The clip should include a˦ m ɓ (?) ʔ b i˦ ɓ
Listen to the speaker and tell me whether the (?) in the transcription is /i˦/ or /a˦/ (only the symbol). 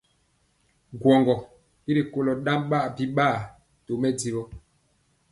a˦